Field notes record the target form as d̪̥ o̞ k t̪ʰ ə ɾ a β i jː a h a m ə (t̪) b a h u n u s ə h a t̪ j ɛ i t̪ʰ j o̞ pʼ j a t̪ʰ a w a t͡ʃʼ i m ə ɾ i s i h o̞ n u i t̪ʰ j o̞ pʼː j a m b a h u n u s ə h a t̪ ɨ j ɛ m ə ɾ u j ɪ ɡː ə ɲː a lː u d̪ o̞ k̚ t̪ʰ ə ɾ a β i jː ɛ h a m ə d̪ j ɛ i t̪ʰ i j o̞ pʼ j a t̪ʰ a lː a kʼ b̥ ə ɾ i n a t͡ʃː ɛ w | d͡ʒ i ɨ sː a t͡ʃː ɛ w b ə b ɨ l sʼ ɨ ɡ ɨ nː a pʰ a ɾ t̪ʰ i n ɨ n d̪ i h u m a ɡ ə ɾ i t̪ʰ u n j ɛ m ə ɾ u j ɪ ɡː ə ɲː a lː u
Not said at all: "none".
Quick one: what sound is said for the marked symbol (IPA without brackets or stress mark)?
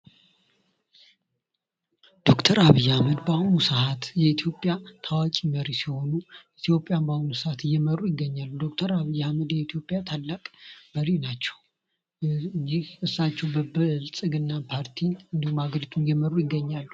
d̪